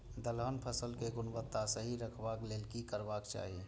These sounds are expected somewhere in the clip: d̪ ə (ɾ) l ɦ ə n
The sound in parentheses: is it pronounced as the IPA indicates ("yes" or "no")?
no